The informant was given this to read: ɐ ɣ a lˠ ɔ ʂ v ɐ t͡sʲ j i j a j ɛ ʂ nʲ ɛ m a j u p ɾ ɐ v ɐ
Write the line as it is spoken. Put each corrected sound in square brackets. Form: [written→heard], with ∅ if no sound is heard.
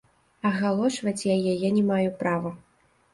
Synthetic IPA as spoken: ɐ ɣ a lˠ ɔ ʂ v ɐ t͡sʲ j [i→a] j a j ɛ [ʂ→∅] nʲ ɛ m a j u p ɾ [ɐ→a] v ɐ

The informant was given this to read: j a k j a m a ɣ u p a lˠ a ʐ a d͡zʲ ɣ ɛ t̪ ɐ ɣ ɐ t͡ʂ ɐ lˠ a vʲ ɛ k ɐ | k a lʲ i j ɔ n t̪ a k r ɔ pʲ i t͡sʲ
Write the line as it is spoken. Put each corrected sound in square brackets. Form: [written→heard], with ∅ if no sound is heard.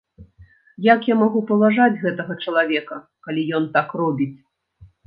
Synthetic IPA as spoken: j a k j a m a ɣ u p [a→ɐ] lˠ a ʐ a d͡zʲ ɣ ɛ t̪ ɐ ɣ ɐ t͡ʂ ɐ lˠ a vʲ ɛ k ɐ | k a lʲ i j ɔ n t̪ a k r ɔ [pʲ→bʲ] i t͡sʲ

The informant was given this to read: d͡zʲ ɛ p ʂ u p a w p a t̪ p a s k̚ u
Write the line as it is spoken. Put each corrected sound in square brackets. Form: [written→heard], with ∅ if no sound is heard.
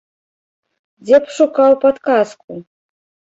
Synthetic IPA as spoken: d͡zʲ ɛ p ʂ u [p→k] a w p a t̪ [p→k] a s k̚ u

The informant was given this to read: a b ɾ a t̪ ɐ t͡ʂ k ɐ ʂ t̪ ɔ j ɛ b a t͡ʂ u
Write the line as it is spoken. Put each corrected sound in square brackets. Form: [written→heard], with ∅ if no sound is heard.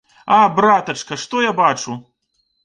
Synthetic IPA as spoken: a b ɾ a t̪ ɐ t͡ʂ k ɐ ʂ t̪ ɔ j [ɛ→a] b a t͡ʂ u

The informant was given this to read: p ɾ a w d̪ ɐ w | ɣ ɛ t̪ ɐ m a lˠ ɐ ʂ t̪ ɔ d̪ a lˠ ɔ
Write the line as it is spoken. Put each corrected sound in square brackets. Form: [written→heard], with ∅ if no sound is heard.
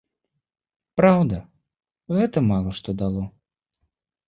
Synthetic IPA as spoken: p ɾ a w d̪ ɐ [w→∅] | ɣ ɛ t̪ ɐ m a lˠ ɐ ʂ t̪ ɔ d̪ a lˠ ɔ

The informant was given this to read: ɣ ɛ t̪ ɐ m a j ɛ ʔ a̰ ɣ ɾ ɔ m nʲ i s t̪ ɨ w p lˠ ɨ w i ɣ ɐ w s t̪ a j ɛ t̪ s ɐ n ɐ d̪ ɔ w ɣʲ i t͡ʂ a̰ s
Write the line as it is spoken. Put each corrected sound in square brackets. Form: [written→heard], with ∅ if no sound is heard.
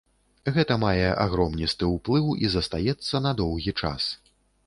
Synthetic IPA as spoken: ɣ ɛ t̪ ɐ m a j ɛ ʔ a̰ ɣ ɾ ɔ m nʲ i s t̪ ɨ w p lˠ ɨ w i [ɣ→z] ɐ [w→∅] s t̪ a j ɛ t̪ [s→sː] ɐ n ɐ d̪ ɔ w ɣʲ i t͡ʂ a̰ s

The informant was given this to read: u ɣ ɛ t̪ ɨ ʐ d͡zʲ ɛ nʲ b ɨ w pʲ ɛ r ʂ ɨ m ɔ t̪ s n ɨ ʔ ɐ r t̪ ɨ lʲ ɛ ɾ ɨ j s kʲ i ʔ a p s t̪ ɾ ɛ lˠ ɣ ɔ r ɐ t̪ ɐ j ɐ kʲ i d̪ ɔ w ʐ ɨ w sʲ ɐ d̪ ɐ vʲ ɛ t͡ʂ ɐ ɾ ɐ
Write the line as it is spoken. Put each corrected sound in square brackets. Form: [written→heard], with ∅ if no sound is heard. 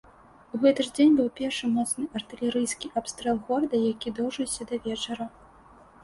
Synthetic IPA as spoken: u ɣ ɛ t̪ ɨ ʐ d͡zʲ [ɛ→e] nʲ b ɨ w pʲ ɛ r ʂ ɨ m ɔ t̪ s n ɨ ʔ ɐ r t̪ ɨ lʲ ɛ ɾ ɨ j s kʲ i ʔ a p s t̪ ɾ ɛ lˠ ɣ ɔ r ɐ [t̪→d̪] ɐ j [ɐ→a] kʲ i d̪ ɔ w ʐ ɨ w sʲ ɐ d̪ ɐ vʲ ɛ t͡ʂ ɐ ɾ ɐ

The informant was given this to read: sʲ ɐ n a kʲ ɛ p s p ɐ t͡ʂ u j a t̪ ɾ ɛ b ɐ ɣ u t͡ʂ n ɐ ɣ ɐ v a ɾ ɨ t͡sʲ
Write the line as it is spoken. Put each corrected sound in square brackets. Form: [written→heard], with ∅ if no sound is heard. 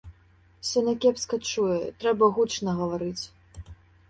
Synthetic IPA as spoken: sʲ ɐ n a kʲ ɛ p s [p→k] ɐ t͡ʂ u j [a→ɛ] t̪ ɾ ɛ b ɐ ɣ u t͡ʂ n ɐ ɣ ɐ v a ɾ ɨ t͡sʲ

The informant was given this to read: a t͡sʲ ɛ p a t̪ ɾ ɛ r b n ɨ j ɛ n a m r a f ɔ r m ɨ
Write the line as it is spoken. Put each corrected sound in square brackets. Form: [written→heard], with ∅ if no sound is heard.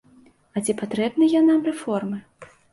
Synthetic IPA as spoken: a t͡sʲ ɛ p a t̪ ɾ ɛ [r→∅] b n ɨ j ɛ n a m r [a→ɛ] f ɔ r m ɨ

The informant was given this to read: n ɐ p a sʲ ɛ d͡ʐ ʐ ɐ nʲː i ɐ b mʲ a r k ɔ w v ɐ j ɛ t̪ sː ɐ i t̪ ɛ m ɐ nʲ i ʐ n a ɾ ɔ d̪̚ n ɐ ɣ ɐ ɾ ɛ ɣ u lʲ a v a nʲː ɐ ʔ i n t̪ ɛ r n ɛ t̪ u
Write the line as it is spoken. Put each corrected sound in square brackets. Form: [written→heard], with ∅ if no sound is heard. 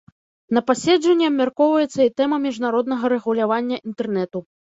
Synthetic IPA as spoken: n ɐ p a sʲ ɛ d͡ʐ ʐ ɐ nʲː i ɐ b mʲ a r k ɔ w v ɐ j ɛ t̪ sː ɐ i t̪ ɛ m ɐ [nʲ→mʲ] i ʐ n a ɾ ɔ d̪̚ n ɐ ɣ ɐ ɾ ɛ ɣ u lʲ a v a nʲː ɐ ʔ i n t̪ ɛ r n ɛ t̪ u

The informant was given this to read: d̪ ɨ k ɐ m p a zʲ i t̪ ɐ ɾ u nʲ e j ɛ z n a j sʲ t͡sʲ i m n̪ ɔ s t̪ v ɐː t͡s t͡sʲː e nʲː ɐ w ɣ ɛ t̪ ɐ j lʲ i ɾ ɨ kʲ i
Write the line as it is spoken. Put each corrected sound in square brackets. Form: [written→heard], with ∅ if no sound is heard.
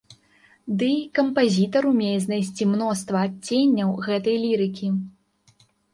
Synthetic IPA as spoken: d̪ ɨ k ɐ m p a zʲ i t̪ ɐ ɾ u [nʲ→mʲ] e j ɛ z n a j sʲ t͡sʲ i m n̪ ɔ s t̪ v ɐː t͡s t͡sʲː e nʲː ɐ w ɣ ɛ t̪ ɐ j lʲ i ɾ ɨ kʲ i

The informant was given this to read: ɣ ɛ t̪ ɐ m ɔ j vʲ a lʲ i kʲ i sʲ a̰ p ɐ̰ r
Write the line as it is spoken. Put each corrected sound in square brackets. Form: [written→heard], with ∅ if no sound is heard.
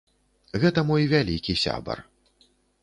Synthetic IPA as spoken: ɣ ɛ t̪ ɐ m ɔ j vʲ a lʲ i kʲ i sʲ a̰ [p→b] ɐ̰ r

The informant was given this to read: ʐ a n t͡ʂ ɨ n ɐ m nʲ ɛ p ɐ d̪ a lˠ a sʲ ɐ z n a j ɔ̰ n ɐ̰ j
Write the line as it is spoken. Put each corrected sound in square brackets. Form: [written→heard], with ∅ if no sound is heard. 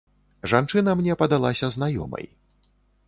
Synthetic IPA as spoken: ʐ a n t͡ʂ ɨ n ɐ m nʲ ɛ p ɐ d̪ a lˠ a sʲ ɐ z n a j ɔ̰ [n→m] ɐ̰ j

